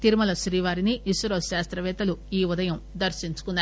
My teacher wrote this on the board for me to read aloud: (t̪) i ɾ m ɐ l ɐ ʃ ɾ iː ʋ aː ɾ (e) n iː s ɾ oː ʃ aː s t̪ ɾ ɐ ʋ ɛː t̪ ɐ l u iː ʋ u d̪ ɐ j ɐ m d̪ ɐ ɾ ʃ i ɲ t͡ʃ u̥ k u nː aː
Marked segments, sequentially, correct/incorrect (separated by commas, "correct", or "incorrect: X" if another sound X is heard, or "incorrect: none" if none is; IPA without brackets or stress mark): correct, incorrect: i